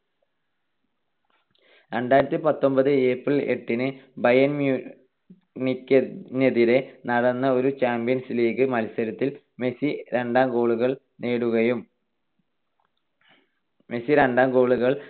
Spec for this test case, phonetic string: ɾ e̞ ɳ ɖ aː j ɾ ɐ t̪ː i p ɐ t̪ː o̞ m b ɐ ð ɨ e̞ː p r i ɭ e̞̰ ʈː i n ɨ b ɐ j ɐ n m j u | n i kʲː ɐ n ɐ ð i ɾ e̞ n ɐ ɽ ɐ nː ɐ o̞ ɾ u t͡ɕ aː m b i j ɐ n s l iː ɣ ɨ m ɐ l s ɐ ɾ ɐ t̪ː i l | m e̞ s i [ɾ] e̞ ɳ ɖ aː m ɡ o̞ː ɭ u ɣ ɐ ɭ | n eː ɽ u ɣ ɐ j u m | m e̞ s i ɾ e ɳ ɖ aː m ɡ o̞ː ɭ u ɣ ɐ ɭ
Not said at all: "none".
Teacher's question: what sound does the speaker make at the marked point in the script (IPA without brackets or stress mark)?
ɾ